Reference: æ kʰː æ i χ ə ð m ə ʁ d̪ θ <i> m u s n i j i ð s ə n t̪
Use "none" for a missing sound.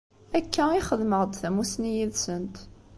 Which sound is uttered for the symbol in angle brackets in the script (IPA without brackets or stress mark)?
æ